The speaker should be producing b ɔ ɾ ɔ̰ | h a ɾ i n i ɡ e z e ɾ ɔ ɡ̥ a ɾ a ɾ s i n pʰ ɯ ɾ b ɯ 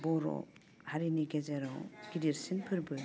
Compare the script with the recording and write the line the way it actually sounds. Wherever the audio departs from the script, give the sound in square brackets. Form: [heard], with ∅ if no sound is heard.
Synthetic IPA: b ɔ ɾ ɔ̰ | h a ɾ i n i ɡ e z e ɾ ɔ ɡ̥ [i] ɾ [i] ɾ s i n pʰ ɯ ɾ b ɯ

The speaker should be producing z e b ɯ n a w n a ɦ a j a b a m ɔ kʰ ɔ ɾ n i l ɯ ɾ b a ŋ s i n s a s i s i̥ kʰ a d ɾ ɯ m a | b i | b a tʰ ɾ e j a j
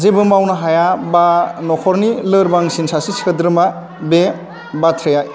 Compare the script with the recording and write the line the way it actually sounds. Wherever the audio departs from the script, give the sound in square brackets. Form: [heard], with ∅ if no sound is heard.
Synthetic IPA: z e b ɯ [m] a w n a ɦ a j a b a [n] ɔ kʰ ɔ ɾ n i l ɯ ɾ b a ŋ s i n s a s i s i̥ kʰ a d ɾ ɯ m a | b [e] | b a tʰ ɾ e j a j

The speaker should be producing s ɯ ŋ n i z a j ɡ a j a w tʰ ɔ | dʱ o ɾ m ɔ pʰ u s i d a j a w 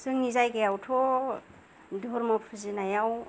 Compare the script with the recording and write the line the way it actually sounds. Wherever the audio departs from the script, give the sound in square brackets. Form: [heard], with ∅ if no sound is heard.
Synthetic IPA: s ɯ ŋ n i z a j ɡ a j a w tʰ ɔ | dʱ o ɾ m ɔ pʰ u [z] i [n] a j a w

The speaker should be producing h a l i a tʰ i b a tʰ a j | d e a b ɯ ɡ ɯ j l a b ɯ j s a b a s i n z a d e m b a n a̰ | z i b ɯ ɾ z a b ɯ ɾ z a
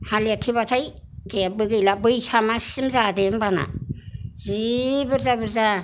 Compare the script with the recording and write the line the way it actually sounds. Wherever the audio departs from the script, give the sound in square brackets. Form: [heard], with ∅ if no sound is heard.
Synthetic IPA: h a l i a tʰ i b a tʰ a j | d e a b ɯ ɡ ɯ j l a b ɯ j s a [m] a s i [m] z a d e m b a n a̰ | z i b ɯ ɾ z a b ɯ ɾ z a

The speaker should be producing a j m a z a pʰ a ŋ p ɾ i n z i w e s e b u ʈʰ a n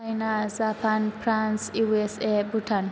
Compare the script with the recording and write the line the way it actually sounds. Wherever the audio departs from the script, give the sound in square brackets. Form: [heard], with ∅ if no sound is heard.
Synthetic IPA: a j [n] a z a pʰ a [n] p ɾ [a] n [s] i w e s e b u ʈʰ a n

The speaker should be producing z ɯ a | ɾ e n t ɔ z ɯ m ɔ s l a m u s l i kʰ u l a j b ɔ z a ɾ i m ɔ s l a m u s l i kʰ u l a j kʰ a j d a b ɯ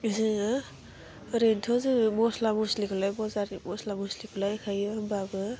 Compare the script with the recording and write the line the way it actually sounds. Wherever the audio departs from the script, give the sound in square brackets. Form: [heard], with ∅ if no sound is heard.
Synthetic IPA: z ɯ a | ɾ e n [tʰ] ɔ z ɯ m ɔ s l a m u s l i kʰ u l a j b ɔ z a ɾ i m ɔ s l a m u s l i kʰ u l a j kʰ a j [b] a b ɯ

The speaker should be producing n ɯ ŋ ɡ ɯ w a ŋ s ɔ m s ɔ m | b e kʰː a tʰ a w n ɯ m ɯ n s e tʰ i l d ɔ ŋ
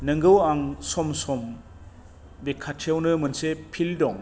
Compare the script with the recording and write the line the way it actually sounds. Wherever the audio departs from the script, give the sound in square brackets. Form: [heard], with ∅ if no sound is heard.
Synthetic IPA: n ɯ ŋ ɡ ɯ w a ŋ s ɔ m s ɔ m | b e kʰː a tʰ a w n ɯ m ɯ n s e [pʰ] i l d ɔ ŋ

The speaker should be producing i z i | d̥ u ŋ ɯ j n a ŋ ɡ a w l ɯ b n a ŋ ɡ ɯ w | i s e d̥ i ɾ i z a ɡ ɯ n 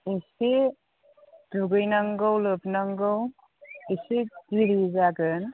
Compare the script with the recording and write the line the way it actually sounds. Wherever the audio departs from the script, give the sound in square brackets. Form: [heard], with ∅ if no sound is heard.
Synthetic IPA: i [s] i | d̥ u [ɡ] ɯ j n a ŋ ɡ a w l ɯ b n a ŋ ɡ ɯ w | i s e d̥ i ɾ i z a ɡ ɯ n

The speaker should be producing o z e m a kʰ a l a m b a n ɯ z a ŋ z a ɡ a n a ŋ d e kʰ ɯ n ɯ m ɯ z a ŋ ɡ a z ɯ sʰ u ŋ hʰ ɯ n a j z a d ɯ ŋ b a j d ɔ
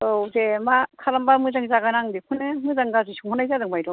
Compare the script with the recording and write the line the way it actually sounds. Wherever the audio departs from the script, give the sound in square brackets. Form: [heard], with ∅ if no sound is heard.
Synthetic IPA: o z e m a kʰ a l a m b a [m] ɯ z a ŋ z a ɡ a n a ŋ d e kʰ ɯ n ɯ m ɯ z a ŋ ɡ a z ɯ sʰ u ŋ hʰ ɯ n a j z a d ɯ ŋ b a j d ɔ

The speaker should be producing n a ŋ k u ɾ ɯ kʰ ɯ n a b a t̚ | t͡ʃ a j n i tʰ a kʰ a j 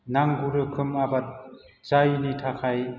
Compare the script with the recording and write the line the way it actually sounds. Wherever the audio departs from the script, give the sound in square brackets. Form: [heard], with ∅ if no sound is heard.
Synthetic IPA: n a ŋ [ɡ] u ɾ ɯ kʰ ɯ [m] a b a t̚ | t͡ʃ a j n i tʰ a kʰ a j

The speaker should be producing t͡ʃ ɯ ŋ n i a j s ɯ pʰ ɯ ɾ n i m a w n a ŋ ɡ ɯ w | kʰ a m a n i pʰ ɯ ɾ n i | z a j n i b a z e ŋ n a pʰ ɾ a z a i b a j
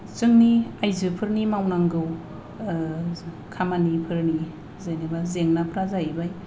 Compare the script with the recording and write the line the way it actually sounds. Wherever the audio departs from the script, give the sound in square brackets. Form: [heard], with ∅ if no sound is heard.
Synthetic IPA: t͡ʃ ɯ ŋ n i a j [z] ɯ pʰ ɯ ɾ n i m a w n a ŋ ɡ ɯ w | kʰ a m a n i pʰ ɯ ɾ n i | z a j n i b a z e ŋ n a pʰ ɾ a z a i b a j

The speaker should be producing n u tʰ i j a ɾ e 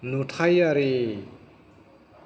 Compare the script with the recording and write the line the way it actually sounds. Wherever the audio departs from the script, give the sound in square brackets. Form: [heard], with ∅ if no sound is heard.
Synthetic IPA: n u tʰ [a] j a ɾ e

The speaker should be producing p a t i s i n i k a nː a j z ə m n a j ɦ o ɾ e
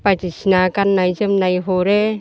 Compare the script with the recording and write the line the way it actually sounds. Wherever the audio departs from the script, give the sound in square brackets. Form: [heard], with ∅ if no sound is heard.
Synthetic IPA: p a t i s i n [a] k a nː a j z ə m n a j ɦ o ɾ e

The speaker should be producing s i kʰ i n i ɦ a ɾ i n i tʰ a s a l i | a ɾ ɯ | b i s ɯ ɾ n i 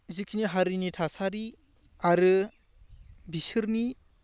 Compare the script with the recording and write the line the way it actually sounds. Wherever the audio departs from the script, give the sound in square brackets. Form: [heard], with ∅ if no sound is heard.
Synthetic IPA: [z] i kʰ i n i ɦ a ɾ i n i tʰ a s a [ɾ] i | a ɾ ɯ | b i s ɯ ɾ n i

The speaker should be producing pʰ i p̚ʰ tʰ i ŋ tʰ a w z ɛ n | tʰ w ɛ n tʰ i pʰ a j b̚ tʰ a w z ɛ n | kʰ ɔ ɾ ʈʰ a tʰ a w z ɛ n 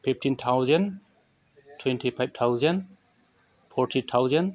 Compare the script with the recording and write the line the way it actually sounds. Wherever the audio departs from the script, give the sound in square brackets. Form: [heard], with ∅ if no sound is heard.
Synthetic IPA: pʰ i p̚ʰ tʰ i [n] tʰ a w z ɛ n | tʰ w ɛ n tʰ i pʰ a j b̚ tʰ a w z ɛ n | [pʰ] ɔ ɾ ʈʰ [i] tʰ a w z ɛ n

